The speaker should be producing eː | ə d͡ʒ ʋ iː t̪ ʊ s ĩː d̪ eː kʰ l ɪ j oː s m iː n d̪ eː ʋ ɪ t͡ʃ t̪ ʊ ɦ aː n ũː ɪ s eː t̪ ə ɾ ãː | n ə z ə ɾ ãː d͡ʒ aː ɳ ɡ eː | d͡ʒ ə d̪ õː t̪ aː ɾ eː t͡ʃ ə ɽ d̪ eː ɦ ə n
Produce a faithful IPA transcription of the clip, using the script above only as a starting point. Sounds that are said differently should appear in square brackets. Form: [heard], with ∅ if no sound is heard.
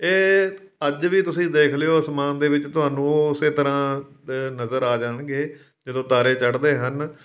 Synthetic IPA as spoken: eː | ə d͡ʒ ʋ iː t̪ ʊ s ĩː d̪ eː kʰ l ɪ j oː s m [aː] n d̪ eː ʋ ɪ t͡ʃ t̪ ʊ ɦ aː n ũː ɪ s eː t̪ ə ɾ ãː | n ə z ə ɾ [aː] d͡ʒ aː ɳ ɡ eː | d͡ʒ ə d̪ õː t̪ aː ɾ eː t͡ʃ ə ɽ d̪ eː ɦ ə n